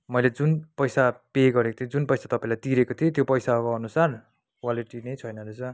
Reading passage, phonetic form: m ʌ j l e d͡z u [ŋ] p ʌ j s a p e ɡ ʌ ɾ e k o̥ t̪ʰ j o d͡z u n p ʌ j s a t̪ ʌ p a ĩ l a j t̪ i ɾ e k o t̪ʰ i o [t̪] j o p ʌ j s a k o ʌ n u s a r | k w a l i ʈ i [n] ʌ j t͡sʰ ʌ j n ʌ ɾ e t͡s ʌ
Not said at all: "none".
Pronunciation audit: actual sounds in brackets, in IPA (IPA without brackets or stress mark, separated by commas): n, t̪, n